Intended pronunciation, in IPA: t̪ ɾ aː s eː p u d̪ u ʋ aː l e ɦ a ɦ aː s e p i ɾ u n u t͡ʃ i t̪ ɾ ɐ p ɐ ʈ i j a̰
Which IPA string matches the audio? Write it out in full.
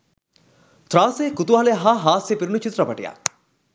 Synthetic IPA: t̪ ɾ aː s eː k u t̪ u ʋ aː l e ɦ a ɦ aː s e p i ɾ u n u t͡ʃ i t̪ ɾ ɐ p ɐ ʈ i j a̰